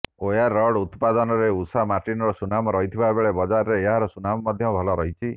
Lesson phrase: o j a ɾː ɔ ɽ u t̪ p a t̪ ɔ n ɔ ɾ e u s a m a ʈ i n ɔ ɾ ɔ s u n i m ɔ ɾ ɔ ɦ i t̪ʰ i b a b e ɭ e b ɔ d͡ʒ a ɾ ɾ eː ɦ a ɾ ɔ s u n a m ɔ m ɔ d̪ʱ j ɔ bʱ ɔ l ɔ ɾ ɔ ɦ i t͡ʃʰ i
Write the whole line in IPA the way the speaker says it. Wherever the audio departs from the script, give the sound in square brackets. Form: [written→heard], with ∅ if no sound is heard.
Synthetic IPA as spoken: o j a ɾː ɔ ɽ u t̪ p a [t̪→d̪] ɔ n ɔ ɾ e u s a m a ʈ i n ɔ ɾ ɔ s u n [i→a] m ɔ ɾ ɔ ɦ i t̪ʰ i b a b e ɭ e b ɔ d͡ʒ a ɾ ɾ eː ɦ a ɾ ɔ s u n a m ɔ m ɔ d̪ʱ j ɔ bʱ ɔ l ɔ ɾ ɔ ɦ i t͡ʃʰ i

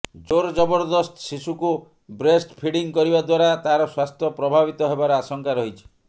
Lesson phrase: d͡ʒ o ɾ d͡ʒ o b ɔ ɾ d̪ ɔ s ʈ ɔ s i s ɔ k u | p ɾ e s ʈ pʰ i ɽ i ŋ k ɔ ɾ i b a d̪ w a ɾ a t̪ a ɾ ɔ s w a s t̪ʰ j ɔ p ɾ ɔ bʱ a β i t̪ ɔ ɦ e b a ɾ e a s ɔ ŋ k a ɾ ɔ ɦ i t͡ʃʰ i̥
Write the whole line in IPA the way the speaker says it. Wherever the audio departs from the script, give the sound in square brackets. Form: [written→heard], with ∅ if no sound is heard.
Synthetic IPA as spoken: d͡ʒ o ɾ d͡ʒ [o→ɔ] b ɔ ɾ d̪ ɔ s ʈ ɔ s i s [ɔ→u] k u | [p→b] ɾ e s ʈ pʰ i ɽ i ŋ k ɔ ɾ i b a d̪ w a ɾ a t̪ a ɾ ɔ s w a s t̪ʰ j ɔ p ɾ ɔ bʱ a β i t̪ ɔ ɦ e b a ɾ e a s ɔ ŋ k a ɾ ɔ ɦ i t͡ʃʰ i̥

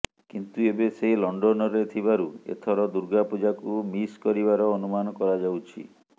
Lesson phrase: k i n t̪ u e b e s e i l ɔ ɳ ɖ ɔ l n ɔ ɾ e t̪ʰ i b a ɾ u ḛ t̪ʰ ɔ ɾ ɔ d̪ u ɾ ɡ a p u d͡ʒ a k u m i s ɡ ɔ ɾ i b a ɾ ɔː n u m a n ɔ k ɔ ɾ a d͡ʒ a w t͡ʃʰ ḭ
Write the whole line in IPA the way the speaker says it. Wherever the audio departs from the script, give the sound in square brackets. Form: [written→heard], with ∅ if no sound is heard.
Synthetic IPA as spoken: k i n t̪ u e b e s e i l ɔ ɳ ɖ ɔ [l→∅] n ɔ ɾ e t̪ʰ i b a ɾ u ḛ t̪ʰ ɔ ɾ ɔ d̪ u ɾ ɡ a p u d͡ʒ a k u m i s [ɡ→k] ɔ ɾ i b a ɾ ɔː n u m a n ɔ k ɔ ɾ a d͡ʒ a w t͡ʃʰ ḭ

